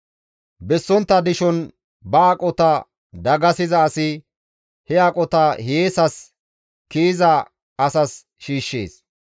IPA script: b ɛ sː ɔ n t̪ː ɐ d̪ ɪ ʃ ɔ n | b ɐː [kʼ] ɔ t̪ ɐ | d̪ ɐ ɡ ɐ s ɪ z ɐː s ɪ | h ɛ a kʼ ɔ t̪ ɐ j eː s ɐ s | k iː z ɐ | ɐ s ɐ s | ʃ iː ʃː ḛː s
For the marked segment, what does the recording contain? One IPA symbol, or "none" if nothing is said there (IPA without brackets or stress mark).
kʼ